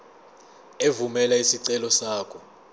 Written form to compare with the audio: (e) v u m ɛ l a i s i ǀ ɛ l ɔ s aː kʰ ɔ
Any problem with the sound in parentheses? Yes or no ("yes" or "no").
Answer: no